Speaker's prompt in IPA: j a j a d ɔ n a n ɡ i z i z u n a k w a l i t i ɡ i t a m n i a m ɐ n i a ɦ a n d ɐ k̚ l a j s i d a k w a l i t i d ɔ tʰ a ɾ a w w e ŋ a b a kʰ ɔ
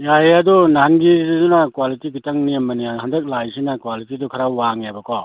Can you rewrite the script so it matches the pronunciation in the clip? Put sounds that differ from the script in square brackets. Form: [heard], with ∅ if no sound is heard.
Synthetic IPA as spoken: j a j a d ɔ n a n ɡ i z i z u n a k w a l i t i ɡ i t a [ŋ] n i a m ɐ n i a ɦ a n d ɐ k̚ l a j s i [n] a k w a l i t i d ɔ [kʰ] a ɾ a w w [a] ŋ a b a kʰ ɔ